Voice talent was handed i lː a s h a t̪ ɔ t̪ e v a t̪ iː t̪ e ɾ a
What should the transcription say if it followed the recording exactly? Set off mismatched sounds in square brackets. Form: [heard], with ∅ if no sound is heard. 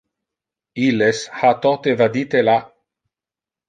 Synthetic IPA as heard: i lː [e] s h a t̪ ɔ t̪ e v a [d̪] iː t̪ e [l] a